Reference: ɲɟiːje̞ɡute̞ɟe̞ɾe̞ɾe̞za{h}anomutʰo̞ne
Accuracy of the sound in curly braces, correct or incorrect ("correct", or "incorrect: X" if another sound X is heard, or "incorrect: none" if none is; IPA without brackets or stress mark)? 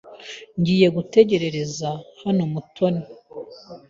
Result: correct